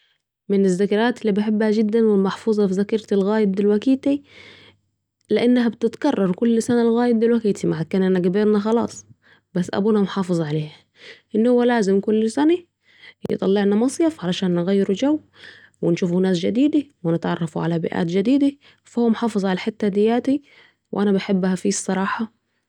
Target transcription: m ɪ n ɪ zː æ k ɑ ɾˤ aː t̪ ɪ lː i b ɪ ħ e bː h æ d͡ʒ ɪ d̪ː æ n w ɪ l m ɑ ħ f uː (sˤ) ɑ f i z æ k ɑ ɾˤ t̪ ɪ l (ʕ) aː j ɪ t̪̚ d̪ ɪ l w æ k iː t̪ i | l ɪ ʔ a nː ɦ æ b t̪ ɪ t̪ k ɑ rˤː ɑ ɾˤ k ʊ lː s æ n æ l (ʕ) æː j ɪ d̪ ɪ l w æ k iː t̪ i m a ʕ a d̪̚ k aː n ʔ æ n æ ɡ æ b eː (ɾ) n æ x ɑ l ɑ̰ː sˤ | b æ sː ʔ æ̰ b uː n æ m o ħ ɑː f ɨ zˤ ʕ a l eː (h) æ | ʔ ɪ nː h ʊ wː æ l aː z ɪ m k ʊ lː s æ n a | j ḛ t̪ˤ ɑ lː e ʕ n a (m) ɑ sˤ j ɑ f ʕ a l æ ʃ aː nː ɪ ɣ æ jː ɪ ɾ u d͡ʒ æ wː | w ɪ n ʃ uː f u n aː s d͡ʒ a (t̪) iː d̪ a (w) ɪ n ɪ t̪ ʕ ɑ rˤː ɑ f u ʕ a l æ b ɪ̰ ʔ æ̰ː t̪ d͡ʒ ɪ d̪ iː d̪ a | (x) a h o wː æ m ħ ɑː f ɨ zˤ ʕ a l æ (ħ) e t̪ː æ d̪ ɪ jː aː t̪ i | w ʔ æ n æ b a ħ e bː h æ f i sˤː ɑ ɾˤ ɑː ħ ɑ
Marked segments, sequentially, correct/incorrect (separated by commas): incorrect, incorrect, incorrect, correct, correct, correct, incorrect, correct, incorrect, correct